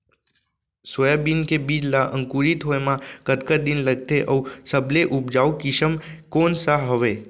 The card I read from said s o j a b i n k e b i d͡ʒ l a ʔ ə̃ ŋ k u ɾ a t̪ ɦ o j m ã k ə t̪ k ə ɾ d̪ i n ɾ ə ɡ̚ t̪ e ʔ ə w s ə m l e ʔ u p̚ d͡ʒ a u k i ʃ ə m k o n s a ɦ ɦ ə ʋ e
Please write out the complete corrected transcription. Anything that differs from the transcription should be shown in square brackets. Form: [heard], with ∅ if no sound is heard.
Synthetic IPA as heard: s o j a b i n k e b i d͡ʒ l a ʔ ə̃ ŋ k u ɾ [i] t̪ ɦ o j m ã k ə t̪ k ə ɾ d̪ i n [l] ə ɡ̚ t̪ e ʔ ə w s ə [b] l e ʔ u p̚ d͡ʒ a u k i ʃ ə m k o n s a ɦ ɦ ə ʋ e